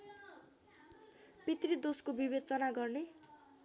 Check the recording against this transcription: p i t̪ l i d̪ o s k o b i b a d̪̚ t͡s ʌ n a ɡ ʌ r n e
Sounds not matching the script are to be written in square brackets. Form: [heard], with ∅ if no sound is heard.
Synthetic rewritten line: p i t̪ [r] i d̪ o s k o b i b [e] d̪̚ t͡s ʌ n a ɡ ʌ r n e